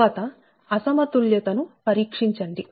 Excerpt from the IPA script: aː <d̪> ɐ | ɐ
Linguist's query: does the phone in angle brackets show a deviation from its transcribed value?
yes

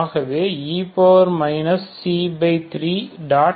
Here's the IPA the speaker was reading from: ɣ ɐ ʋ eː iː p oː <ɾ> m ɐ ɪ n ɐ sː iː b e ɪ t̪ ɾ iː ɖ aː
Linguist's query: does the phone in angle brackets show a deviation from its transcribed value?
no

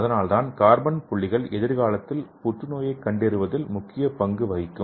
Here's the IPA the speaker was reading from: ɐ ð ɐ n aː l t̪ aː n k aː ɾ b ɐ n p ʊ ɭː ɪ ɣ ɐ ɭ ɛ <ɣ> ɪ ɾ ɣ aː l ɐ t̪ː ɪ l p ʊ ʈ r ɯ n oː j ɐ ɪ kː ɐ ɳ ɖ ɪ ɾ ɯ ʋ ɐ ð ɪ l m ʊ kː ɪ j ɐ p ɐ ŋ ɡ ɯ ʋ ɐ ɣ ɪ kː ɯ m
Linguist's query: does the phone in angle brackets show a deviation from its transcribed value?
yes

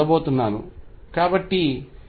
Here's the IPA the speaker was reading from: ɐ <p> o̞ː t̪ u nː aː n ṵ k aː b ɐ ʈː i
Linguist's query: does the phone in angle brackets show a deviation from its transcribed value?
yes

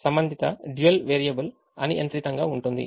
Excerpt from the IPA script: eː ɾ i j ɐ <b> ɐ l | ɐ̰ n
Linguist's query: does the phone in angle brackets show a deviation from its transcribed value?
no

